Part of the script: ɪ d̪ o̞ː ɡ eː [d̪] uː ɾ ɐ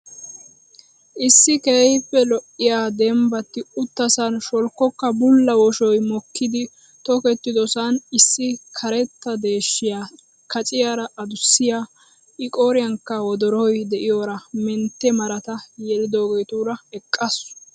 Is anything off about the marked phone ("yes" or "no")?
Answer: yes